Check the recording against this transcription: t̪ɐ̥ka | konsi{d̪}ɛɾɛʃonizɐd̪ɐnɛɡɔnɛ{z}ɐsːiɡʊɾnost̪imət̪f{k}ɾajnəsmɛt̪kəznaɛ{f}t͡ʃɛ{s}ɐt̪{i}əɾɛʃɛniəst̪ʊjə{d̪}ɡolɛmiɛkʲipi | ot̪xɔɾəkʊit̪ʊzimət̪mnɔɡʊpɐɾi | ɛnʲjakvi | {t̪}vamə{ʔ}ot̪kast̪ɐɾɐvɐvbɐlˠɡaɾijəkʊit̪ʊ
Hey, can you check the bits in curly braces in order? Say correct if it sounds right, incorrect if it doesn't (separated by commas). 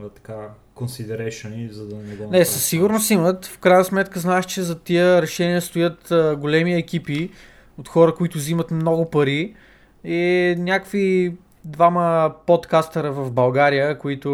correct, incorrect, correct, incorrect, incorrect, correct, incorrect, incorrect, incorrect